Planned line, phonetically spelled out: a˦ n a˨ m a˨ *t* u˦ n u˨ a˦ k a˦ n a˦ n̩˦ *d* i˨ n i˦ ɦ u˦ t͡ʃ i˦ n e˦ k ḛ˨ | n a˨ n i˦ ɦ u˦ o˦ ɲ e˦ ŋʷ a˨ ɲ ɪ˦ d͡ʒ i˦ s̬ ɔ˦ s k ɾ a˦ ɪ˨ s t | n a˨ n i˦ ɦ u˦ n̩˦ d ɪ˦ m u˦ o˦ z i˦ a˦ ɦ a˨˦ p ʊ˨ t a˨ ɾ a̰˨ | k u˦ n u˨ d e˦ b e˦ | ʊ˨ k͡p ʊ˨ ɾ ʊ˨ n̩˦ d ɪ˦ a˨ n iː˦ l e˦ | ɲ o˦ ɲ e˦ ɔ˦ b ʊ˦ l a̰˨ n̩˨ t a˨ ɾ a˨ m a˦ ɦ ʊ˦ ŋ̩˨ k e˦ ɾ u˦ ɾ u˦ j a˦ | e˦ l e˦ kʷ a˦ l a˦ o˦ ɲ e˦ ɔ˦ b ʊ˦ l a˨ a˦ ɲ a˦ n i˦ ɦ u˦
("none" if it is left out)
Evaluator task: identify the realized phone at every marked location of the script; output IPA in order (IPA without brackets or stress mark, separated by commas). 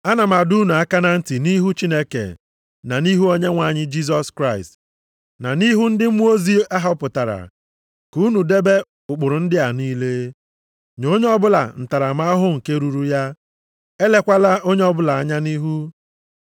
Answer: d, t